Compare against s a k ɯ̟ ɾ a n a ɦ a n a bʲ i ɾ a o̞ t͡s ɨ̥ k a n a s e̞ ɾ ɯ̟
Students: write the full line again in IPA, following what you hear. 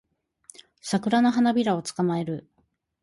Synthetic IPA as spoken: s a k ɯ̟ ɾ a n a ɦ a n a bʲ i ɾ a o̞ t͡s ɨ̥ k a m a e̞ ɾ ɯ̟